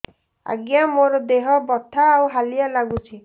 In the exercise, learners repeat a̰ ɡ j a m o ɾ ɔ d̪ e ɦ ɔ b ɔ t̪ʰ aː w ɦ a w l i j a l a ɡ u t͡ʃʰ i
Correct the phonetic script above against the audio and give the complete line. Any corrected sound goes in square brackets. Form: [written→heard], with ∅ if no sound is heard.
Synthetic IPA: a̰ ɡ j a m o ɾ ɔ d̪ e ɦ ɔ b ɔ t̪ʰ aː w ɦ a [w→∅] l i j a l a ɡ u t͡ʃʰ i